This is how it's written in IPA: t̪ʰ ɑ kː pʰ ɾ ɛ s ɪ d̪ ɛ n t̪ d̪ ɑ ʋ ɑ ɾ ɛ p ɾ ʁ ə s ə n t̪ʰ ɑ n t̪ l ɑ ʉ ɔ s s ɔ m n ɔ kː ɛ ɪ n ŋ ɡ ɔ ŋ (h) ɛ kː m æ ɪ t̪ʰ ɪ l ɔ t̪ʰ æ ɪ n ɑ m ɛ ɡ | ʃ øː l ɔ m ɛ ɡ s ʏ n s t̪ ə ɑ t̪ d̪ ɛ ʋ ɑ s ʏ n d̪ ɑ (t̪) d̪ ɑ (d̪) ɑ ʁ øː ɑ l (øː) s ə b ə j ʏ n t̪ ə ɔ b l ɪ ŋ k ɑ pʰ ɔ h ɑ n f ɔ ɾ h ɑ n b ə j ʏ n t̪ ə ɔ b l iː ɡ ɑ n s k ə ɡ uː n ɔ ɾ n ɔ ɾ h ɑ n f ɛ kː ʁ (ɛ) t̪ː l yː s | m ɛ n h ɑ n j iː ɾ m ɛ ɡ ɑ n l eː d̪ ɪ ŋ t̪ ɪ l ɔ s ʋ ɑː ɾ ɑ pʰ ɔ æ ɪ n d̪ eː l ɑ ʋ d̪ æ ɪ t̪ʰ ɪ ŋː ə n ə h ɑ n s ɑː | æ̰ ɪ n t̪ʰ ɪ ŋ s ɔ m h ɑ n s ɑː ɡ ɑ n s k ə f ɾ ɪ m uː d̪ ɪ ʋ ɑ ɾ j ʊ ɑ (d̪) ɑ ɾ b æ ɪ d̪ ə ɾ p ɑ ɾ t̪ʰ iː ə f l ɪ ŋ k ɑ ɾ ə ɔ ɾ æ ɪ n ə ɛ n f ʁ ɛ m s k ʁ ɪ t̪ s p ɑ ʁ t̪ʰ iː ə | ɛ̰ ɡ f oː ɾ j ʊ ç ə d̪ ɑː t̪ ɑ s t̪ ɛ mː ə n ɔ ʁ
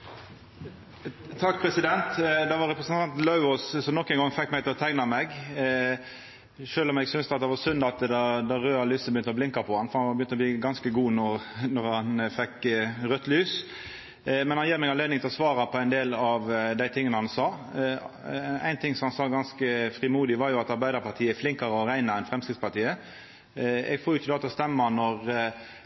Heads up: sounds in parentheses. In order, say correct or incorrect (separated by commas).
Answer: incorrect, correct, correct, incorrect, incorrect, incorrect